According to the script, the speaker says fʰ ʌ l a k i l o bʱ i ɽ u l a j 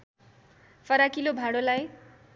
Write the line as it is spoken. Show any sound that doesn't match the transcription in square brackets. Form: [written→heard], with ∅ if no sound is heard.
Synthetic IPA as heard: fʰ ʌ [l→ɾ] a k i l o bʱ [i→a] ɽ [u→o] l a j